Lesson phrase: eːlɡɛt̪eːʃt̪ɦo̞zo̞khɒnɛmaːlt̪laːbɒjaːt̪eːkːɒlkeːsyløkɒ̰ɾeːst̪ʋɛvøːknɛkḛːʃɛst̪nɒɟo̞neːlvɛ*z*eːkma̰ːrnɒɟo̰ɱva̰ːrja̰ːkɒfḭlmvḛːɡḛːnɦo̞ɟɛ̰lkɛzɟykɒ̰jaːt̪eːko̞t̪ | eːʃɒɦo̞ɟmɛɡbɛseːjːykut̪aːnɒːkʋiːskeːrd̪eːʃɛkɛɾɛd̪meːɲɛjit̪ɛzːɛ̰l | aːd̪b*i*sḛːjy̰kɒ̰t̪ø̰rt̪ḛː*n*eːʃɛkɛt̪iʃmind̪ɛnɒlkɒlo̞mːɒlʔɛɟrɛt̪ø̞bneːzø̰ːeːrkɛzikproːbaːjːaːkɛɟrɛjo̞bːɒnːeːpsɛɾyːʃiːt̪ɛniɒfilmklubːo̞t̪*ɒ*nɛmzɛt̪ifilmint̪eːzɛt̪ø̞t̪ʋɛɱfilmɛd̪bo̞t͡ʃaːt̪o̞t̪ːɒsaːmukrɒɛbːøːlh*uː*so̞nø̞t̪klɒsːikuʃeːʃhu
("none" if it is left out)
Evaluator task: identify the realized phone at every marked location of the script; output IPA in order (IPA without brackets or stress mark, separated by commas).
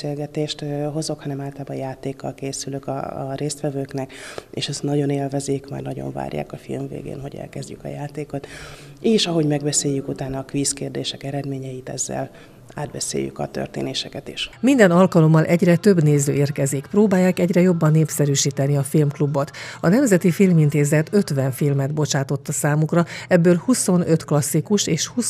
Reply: z, ɛ, n, ɒ, u